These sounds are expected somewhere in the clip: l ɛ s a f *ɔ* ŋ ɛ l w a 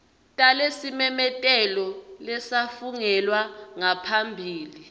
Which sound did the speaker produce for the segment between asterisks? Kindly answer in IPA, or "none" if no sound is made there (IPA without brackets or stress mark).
u